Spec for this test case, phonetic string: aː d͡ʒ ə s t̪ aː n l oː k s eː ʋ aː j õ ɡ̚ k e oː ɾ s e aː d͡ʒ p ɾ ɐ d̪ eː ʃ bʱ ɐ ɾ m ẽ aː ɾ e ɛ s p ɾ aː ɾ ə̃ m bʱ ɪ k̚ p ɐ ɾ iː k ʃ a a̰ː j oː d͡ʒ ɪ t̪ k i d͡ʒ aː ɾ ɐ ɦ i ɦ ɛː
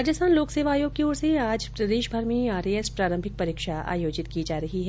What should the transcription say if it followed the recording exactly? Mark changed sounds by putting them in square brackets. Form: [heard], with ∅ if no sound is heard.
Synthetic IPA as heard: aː d͡ʒ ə s t̪ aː n l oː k s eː ʋ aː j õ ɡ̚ k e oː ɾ s e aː d͡ʒ p ɾ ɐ d̪ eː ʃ bʱ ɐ ɾ m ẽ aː ɾ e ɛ s p ɾ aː ɾ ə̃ m bʱ ɪ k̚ p ɐ ɾ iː k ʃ a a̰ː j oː d͡ʒ ɪ t̪ k i d͡ʒ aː ɾ ɐ ɦ i ɦ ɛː